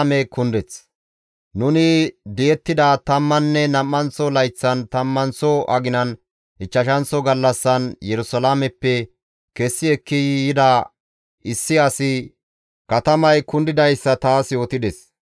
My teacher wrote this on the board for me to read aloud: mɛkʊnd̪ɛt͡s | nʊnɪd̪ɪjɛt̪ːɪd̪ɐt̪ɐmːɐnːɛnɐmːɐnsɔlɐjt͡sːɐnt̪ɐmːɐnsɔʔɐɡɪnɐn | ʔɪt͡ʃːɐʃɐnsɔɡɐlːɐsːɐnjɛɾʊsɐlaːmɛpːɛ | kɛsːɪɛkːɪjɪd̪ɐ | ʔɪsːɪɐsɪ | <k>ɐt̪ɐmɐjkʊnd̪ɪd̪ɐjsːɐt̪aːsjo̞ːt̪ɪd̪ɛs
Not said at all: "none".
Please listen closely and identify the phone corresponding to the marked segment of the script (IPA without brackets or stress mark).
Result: k